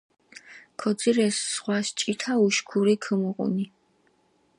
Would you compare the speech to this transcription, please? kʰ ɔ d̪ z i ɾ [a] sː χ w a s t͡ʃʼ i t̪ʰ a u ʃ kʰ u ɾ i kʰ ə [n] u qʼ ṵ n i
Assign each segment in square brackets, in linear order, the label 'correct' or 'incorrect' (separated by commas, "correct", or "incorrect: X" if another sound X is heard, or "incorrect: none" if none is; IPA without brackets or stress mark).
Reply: incorrect: ɛ, incorrect: m